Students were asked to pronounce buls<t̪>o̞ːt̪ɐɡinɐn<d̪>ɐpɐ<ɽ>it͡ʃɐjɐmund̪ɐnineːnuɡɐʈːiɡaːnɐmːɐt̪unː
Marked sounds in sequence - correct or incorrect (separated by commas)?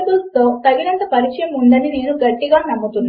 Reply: correct, incorrect, incorrect